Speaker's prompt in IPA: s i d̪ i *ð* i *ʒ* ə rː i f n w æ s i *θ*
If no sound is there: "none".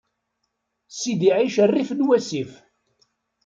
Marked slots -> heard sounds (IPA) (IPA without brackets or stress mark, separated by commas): ʕ, ʃ, f